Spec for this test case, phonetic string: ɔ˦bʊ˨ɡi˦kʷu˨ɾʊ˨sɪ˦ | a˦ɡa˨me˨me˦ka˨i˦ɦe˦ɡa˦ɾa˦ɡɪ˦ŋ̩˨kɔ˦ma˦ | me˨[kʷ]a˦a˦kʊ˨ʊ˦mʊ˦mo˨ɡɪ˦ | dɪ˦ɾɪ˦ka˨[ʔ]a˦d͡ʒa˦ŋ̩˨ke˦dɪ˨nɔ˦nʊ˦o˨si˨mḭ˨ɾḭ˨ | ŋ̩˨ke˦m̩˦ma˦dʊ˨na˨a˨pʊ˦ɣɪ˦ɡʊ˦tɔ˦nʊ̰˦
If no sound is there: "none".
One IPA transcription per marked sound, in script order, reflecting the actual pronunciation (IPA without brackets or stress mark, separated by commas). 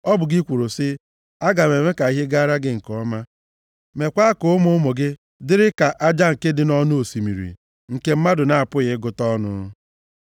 kʷ, ʔ